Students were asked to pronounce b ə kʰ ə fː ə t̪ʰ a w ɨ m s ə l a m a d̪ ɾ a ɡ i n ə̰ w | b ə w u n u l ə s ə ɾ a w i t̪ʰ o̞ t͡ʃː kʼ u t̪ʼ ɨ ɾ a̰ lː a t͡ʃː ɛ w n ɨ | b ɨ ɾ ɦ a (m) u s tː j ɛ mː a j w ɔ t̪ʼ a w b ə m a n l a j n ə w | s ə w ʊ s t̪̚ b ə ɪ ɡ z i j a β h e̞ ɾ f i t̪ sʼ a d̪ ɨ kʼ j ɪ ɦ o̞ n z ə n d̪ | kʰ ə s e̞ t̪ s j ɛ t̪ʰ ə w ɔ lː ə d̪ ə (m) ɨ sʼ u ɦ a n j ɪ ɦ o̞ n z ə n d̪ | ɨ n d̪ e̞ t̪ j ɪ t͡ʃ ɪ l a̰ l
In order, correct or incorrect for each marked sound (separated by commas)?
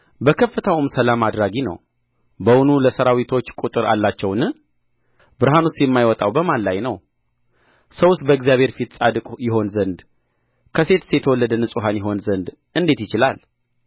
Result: incorrect, incorrect